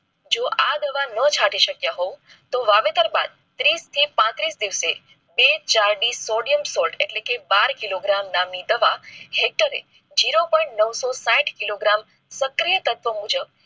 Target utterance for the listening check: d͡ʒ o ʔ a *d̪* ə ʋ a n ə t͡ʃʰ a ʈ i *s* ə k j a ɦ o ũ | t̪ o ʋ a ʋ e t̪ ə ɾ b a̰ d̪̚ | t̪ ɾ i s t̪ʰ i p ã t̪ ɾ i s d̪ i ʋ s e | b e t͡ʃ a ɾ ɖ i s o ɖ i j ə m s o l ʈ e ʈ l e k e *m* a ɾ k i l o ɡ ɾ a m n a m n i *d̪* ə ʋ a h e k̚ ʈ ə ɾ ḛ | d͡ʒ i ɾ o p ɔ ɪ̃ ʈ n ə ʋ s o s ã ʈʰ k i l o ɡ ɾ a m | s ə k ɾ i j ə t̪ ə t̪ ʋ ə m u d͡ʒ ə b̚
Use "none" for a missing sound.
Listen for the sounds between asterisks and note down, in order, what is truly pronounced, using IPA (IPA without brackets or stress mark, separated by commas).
d̪, ʃ, b, d̪